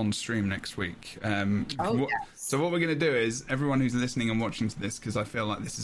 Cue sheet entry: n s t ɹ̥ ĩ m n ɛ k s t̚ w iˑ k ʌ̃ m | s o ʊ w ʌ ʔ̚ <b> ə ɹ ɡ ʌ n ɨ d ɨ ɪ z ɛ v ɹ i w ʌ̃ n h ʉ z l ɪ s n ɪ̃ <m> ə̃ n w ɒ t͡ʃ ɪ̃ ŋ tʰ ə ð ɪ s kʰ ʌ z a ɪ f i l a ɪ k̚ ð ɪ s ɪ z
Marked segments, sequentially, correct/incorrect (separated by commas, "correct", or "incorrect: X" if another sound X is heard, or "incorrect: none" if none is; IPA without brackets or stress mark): incorrect: w, incorrect: ŋ